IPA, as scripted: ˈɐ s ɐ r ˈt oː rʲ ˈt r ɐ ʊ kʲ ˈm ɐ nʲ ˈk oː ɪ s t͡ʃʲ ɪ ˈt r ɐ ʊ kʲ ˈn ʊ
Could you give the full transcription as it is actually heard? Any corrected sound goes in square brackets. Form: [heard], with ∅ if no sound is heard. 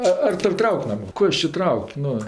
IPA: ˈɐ [∅] ɐ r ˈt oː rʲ ˈt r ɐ ʊ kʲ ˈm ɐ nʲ ˈk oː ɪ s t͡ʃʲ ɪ ˈt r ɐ ʊ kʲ ˈn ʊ

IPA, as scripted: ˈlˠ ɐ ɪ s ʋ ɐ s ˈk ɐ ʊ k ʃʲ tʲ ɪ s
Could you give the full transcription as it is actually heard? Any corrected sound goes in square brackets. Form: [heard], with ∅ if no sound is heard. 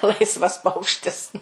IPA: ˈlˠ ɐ ɪ s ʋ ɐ s [ˈp] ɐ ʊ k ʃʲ tʲ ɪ s

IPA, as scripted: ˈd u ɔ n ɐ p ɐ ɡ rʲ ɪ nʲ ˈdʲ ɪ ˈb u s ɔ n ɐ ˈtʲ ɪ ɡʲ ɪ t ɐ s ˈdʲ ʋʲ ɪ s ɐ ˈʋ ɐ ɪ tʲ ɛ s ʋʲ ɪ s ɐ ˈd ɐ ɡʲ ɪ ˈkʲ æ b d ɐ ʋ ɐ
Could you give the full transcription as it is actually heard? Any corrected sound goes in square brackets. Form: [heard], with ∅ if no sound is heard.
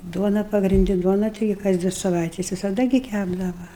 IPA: ˈd u ɔ n ɐ p ɐ ɡ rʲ ɪ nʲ ˈdʲ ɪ [ˈd] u [∅] ɔ n ɐ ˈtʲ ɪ ɡʲ ɪ [k] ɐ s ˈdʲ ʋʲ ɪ s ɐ ˈʋ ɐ ɪ tʲ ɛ s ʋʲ ɪ s ɐ ˈd ɐ ɡʲ ɪ ˈkʲ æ b d ɐ ʋ ɐ

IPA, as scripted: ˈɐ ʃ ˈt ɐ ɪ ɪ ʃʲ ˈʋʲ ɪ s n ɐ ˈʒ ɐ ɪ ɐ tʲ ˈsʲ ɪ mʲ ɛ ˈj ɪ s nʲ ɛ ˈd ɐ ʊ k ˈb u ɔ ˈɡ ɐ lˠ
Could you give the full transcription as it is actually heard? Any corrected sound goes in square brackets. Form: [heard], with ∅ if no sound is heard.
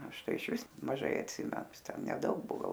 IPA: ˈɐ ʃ ˈt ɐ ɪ ɪ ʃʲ ˈʋʲ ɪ s [m] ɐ ˈʒ ɐ ɪ ɐ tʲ ˈsʲ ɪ mʲ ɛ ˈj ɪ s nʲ ɛ ˈd ɐ ʊ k ˈb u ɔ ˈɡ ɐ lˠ

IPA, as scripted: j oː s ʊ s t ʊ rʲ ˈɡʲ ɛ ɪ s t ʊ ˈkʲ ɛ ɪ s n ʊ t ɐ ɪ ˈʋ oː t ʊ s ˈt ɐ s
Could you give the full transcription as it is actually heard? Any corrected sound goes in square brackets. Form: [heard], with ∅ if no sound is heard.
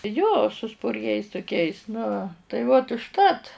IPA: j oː s ʊ s [p] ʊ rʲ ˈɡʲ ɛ ɪ s t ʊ ˈkʲ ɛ ɪ s n ʊ t ɐ ɪ ˈʋ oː t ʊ [ʃ] ˈt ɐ [t]

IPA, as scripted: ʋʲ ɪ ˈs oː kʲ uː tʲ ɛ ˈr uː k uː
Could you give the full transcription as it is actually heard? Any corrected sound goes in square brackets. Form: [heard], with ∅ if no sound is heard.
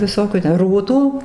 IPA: ʋʲ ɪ ˈs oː kʲ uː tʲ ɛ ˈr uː [t] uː

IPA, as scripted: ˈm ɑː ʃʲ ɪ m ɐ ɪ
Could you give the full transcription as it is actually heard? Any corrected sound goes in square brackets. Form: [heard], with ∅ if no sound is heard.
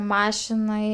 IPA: ˈm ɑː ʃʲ ɪ [n] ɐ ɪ

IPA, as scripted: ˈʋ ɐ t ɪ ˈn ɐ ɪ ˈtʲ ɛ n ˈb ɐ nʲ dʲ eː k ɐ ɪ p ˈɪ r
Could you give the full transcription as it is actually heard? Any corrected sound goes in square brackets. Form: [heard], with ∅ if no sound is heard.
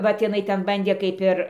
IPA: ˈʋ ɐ t ɪ ˈn ɐ ɪ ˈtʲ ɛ n ˈb ɐ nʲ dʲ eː k ɐ ɪ p ˈɪ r

